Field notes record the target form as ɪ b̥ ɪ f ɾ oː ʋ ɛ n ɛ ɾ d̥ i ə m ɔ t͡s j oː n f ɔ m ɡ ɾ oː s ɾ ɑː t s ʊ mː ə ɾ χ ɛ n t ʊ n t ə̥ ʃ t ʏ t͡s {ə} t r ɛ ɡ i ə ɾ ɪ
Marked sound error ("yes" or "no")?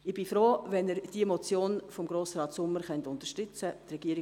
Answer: no